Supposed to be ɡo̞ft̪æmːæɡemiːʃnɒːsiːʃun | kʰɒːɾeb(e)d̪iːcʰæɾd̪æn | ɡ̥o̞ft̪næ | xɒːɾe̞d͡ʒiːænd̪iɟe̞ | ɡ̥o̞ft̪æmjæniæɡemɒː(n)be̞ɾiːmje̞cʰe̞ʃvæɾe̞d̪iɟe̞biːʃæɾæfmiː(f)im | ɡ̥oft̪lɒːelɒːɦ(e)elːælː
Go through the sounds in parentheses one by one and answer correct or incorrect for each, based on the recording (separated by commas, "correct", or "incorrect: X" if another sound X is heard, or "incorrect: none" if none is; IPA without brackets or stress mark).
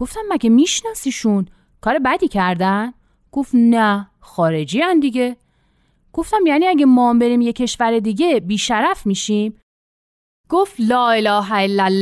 incorrect: æ, incorrect: m, incorrect: ʃ, incorrect: æ